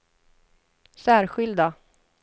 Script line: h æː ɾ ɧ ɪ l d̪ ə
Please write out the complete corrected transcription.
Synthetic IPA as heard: s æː ɾ ɧ ɪ l d̪ a